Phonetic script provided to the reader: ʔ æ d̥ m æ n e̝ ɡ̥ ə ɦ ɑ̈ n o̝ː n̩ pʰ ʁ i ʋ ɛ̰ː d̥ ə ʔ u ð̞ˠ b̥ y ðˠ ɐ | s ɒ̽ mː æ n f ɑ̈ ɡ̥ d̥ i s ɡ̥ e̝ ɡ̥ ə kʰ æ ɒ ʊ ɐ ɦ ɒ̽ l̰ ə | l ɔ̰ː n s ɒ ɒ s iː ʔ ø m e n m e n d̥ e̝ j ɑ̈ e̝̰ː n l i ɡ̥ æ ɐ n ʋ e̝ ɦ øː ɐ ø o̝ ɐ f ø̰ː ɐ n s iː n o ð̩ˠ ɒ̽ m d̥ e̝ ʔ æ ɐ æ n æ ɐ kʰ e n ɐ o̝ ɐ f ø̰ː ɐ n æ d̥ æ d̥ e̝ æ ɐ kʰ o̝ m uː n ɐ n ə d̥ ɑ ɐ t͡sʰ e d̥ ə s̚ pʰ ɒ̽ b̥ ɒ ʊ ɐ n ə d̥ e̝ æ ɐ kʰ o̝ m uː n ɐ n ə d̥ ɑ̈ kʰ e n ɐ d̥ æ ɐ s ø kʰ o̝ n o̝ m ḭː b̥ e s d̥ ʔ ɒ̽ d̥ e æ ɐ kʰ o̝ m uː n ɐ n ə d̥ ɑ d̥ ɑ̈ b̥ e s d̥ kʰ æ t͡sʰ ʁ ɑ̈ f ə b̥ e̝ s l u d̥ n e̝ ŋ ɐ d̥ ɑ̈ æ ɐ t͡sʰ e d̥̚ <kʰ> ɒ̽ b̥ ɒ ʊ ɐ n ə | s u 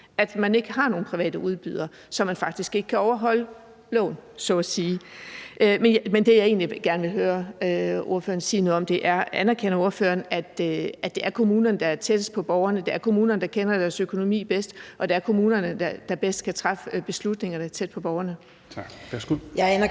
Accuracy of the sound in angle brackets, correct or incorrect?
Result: incorrect